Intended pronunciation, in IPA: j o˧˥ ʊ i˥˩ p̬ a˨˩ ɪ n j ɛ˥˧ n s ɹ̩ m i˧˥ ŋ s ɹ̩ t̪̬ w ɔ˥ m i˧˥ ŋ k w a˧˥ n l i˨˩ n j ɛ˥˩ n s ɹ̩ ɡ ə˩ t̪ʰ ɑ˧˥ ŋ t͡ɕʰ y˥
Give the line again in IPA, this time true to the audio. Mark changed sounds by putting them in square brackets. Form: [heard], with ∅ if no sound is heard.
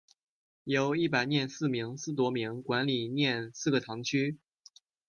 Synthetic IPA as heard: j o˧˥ ʊ i˥˩ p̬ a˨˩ ɪ n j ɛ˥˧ n s ɹ̩ m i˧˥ ŋ s ɹ̩ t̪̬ w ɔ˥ m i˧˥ ŋ k w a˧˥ n l i˨˩ n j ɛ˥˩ n s ɹ̩ ɡ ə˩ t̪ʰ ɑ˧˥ ŋ t͡ɕʰ y˥